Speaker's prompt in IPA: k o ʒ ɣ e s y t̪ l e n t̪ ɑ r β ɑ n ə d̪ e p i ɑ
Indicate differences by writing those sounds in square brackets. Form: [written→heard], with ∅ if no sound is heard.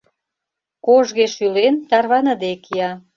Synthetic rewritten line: k o ʒ ɣ e [s→ʃ] y [t̪→∅] l e n t̪ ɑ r β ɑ n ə d̪ e [p→k] i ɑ

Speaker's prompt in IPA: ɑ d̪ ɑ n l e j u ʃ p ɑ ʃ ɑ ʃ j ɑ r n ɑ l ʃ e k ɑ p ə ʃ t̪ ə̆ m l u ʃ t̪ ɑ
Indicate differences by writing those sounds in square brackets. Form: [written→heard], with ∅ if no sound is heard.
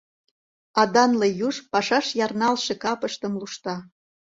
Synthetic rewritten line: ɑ d̪ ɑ n l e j u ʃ p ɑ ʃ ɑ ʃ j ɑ r n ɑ l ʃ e k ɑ p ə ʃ t̪ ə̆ m l u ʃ t̪ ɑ

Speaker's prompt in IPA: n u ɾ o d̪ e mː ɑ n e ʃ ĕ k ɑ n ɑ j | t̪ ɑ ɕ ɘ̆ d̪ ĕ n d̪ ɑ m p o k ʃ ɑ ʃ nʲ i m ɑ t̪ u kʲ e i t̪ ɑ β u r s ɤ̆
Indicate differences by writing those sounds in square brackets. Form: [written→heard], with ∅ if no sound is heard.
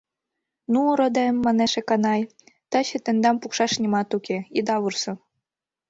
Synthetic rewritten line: n u ɾ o d̪ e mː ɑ n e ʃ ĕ k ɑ n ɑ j | t̪ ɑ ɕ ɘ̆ [d̪→t̪] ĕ n d̪ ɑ m p [o→u] k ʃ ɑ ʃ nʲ i m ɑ t̪ u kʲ e i [t̪→d̪] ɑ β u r s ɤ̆

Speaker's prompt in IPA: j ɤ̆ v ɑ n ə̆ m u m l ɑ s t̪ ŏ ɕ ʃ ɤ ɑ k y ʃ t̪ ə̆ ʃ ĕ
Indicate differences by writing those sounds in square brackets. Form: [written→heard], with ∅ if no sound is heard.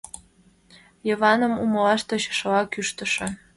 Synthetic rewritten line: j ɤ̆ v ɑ n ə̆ m u m l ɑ [s→ʃ] t̪ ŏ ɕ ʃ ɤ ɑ k y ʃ t̪ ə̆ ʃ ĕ

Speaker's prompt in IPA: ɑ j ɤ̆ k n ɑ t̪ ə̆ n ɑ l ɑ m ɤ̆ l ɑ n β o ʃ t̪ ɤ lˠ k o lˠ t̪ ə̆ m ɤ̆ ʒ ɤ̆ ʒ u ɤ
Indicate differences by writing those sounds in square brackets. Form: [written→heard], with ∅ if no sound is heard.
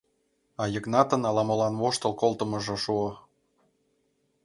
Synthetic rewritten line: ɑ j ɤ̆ k n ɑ t̪ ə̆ n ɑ l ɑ m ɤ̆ l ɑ n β o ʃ t̪ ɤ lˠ k o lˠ t̪ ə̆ m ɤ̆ ʒ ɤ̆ [ʒ→ʃ] u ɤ

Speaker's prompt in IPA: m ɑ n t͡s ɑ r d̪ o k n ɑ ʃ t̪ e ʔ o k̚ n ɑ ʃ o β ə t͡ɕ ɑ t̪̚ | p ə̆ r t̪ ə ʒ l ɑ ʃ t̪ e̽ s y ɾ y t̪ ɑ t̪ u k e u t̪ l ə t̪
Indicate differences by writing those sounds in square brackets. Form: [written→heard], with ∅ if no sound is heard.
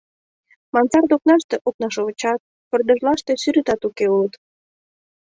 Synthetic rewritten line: m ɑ n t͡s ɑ r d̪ o k n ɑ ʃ t̪ e ʔ o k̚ n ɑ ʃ o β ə t͡ɕ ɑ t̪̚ | p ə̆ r [t̪→d̪] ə ʒ l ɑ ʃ t̪ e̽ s y ɾ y t̪ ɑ t̪ u k e u [t̪→∅] l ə t̪

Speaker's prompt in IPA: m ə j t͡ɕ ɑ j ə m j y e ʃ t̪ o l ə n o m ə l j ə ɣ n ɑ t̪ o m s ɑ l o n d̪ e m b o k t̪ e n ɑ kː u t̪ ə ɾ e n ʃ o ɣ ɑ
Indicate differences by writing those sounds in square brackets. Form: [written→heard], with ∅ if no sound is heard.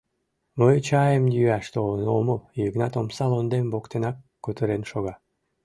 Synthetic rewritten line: m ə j t͡ɕ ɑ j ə m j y [e→æ] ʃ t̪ o l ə n o m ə l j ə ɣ n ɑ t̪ o m s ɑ l o n d̪ e m b o k t̪ e n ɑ kː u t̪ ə ɾ e n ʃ o ɣ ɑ

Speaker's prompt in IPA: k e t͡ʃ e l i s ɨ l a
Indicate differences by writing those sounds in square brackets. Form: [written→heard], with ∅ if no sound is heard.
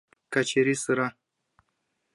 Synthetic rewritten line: k [e→a] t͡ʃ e [l→ɾ] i s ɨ [l→ɾ] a

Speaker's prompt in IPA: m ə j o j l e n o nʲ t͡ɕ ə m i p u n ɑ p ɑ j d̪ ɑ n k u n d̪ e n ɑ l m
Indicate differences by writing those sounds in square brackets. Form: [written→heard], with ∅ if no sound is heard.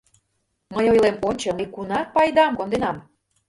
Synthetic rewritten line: m ə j o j l e [n→m] o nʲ t͡ɕ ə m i [p→k] u n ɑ p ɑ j d̪ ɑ [n→m] k [u→o] n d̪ e n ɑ [l→∅] m

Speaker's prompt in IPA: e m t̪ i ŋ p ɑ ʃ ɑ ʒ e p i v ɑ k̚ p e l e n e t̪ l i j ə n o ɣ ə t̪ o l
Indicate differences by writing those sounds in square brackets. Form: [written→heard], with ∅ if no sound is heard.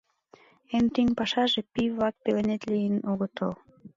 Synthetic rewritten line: e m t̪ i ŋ p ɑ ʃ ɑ ʒ e p i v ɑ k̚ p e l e n e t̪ l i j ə n o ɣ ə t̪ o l

